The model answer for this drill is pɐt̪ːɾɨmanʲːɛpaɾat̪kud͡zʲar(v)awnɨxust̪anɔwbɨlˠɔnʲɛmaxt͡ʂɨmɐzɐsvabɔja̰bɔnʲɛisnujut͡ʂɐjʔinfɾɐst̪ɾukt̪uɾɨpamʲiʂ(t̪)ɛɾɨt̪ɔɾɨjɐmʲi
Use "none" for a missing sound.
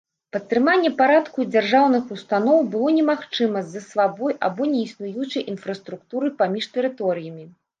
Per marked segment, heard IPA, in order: ʐ, t̪

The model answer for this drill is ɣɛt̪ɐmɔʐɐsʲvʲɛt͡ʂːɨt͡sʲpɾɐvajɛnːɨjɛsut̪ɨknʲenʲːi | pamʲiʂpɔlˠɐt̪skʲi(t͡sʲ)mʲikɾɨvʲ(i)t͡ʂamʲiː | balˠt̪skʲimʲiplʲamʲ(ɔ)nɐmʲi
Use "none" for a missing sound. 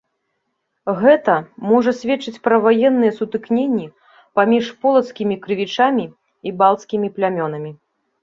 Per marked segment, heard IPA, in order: none, i, ɔ

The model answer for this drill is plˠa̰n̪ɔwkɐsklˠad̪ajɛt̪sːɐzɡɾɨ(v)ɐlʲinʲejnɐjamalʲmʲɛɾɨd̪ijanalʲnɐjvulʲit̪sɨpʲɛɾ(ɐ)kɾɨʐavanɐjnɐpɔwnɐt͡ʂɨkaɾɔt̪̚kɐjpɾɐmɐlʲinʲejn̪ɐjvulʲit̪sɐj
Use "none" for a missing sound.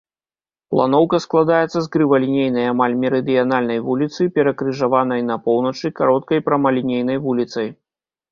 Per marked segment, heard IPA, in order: v, ɐ

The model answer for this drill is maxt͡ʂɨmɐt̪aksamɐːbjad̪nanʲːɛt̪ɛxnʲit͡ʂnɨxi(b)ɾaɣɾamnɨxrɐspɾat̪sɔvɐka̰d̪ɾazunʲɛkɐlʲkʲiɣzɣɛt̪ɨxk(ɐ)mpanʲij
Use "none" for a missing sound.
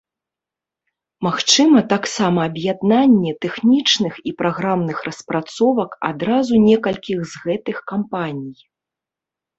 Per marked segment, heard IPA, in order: p, a

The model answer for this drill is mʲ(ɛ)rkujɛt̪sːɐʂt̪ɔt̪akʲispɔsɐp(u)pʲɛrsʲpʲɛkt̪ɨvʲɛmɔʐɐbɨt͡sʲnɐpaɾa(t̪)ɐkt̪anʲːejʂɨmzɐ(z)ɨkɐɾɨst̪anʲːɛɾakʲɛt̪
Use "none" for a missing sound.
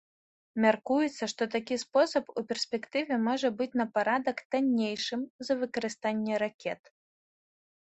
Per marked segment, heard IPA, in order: a, u, d̪, v

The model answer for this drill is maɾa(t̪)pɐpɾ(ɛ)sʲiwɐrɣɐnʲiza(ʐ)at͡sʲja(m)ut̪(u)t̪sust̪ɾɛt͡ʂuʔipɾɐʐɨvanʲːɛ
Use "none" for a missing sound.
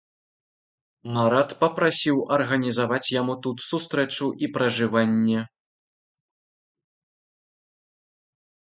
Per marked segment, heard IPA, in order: t̪, a, v, m, u

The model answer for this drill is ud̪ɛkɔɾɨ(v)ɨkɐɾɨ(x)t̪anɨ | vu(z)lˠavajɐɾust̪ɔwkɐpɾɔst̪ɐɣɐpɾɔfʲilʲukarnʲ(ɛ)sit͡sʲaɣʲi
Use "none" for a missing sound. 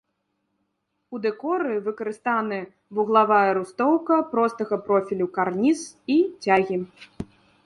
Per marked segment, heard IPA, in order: v, s, ɣ, i

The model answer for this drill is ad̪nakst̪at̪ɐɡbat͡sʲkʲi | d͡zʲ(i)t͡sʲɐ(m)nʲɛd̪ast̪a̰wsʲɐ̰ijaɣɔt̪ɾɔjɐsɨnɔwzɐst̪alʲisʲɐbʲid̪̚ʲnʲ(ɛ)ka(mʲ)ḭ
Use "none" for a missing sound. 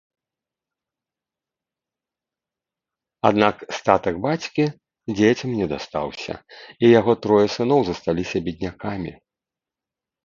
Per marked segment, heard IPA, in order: e, m, a, mʲ

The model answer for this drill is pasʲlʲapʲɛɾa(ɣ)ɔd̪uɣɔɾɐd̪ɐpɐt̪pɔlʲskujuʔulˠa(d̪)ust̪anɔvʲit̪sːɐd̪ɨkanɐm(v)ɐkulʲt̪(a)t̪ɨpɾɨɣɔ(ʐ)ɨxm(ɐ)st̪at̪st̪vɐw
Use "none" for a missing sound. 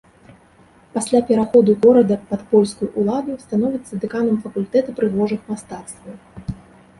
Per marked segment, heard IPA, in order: x, d̪, f, ɛ, ʐ, a

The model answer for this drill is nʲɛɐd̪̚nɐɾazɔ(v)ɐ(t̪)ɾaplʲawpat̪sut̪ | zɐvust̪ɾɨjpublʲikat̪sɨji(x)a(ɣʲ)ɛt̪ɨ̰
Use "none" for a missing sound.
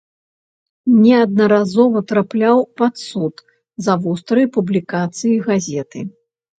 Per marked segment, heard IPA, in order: v, t̪, ɣ, zʲ

